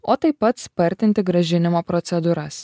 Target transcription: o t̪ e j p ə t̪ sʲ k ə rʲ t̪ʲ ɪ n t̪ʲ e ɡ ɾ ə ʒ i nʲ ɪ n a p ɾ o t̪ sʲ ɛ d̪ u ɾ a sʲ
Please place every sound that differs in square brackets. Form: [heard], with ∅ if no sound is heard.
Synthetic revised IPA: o t̪ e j p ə t̪ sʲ [p] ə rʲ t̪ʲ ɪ n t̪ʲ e ɡ ɾ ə ʒ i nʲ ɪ [m] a p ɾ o t̪ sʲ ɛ d̪ u ɾ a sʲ

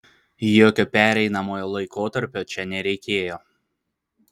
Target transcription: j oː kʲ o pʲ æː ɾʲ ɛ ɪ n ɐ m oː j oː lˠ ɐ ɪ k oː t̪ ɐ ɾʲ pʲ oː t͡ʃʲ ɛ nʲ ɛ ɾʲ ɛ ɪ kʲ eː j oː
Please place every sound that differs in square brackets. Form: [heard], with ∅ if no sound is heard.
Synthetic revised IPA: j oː kʲ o pʲ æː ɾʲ ɛ ɪ n ɐ m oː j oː lˠ ɐ ɪ k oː t̪ ɐ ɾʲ pʲ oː t͡ʃʲ ɛ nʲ ɛ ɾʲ ɛ ɪ kʲ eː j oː

